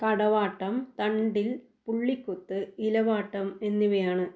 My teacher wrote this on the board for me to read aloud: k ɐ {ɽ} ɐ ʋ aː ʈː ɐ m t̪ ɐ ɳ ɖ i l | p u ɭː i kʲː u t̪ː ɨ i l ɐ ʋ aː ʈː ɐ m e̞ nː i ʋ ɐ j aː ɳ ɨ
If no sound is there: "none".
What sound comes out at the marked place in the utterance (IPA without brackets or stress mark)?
ɽ